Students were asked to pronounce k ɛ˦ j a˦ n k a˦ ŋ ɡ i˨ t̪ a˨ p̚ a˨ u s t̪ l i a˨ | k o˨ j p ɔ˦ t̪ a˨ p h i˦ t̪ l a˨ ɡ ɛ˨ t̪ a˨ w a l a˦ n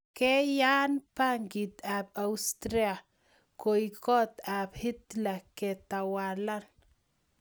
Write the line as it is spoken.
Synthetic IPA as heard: k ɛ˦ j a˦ n p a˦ ŋ ɡ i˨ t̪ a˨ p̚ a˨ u s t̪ ɾ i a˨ | k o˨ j k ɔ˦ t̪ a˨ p h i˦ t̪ l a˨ k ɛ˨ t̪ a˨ w a l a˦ n

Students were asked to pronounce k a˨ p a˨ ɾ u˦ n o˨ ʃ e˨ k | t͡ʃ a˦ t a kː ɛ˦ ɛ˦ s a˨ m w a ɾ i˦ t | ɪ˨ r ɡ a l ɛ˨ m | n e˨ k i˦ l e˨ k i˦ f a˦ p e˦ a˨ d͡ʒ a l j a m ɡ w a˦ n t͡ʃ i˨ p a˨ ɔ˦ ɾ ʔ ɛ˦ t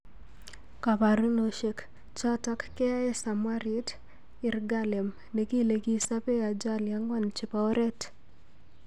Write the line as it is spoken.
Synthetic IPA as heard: k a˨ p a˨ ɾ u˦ n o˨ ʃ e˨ k | t͡ʃ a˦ t a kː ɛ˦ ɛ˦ s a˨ m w a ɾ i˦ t | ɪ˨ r ɡ a l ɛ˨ m | n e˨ k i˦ l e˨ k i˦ s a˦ p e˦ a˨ d͡ʒ a l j a ŋ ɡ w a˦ n t͡ʃ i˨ p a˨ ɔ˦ ɾ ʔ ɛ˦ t

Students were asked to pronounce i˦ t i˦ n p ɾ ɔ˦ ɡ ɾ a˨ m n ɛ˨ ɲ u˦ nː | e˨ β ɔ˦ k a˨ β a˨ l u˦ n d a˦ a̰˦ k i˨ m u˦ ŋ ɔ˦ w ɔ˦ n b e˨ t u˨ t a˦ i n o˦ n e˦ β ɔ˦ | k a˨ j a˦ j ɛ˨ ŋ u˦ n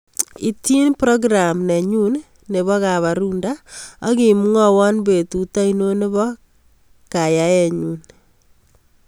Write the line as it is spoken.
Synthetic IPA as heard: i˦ t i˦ n p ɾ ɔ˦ ɡ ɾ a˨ m n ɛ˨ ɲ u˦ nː | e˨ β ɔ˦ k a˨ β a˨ ɾ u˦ n d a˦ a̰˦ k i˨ m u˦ ŋ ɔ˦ w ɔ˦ n b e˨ t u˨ t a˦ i n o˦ n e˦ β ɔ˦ | k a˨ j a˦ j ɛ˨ ɲ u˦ n

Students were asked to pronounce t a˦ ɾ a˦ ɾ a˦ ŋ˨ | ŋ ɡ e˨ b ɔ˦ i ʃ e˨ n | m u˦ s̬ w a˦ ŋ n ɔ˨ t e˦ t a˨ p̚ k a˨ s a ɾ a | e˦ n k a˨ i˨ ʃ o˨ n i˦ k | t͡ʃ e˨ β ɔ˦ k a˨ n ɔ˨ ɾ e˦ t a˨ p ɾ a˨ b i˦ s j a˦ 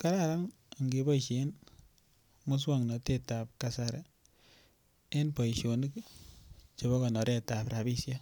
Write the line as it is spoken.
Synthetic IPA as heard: k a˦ ɾ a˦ ɾ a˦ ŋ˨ | ŋ ɡ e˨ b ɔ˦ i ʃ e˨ n | m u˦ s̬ w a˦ ŋ n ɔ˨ t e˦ t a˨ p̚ k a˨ s a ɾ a | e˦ n p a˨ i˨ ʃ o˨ n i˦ k | t͡ʃ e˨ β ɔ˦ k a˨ n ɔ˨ ɾ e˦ t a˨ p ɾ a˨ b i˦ s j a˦

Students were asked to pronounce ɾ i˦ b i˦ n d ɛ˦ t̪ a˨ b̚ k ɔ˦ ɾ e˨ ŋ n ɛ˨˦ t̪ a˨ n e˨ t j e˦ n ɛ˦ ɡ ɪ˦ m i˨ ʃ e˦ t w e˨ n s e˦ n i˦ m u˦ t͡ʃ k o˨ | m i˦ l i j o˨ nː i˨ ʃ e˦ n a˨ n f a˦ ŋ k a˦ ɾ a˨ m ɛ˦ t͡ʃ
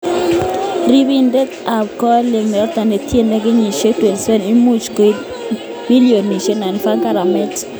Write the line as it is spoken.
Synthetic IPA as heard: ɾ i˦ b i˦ n d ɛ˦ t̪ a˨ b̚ k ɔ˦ l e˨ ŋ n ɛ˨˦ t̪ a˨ n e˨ t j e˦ n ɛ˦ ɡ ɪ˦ ɲ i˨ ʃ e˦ t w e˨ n s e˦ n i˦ m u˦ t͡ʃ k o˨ | m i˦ l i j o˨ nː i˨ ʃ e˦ n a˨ n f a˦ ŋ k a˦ ɾ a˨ m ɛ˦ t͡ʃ

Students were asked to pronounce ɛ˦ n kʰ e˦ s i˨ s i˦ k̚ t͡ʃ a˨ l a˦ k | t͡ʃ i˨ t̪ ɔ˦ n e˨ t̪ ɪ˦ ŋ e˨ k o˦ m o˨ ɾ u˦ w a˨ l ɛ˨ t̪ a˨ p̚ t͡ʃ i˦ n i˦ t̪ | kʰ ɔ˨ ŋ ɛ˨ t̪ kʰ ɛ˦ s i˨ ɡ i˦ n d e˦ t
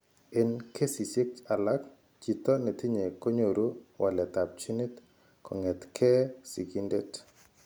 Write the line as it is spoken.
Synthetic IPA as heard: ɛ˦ n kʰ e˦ s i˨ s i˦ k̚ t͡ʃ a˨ l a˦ k | t͡ʃ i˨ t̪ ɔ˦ n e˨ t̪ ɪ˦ ɲ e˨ k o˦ ɲ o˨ ɾ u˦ w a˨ l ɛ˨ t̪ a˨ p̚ t͡ʃ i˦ n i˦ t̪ | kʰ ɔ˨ ŋ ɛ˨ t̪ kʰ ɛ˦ s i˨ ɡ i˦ n d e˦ t

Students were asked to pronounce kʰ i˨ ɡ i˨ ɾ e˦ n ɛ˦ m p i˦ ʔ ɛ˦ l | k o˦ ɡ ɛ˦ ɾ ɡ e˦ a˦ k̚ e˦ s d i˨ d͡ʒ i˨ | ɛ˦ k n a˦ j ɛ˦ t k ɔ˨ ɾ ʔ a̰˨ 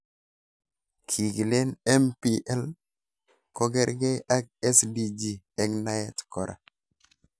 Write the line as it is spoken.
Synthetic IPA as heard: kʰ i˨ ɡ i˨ l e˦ n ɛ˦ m p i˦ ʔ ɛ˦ l | k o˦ ɡ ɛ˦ ɾ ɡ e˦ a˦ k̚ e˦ s d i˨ d͡ʒ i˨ | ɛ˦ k n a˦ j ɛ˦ t k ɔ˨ ɾ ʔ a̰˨

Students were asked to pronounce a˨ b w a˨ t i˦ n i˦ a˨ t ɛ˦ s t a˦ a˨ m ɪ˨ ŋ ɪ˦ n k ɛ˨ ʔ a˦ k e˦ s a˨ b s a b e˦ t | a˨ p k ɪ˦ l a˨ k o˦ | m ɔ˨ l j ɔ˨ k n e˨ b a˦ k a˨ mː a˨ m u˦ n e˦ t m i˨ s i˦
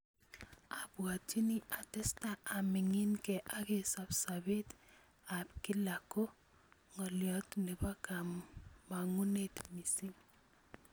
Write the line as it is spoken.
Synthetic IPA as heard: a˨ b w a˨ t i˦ n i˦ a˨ t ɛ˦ s t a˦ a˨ m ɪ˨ ŋ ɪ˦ n k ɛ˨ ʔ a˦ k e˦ s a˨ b s a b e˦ t | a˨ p k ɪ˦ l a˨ k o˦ | ŋ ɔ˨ l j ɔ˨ t n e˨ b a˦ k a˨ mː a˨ ŋ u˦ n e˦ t m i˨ s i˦

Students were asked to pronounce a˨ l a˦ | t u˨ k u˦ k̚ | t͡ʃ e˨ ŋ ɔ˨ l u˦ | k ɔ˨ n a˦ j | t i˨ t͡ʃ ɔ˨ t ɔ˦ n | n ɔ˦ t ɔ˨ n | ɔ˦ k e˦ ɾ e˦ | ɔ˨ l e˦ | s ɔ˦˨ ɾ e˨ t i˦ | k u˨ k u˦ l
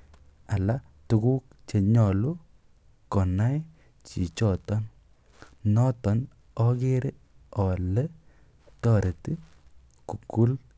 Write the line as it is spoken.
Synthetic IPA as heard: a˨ l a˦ | t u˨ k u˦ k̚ | t͡ʃ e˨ ɲ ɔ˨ l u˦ | k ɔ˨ n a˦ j | t͡ʃ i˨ t͡ʃ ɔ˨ t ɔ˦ n | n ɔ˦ t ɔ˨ n | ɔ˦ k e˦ ɾ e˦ | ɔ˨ l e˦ | t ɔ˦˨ ɾ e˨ t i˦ | k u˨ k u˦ l

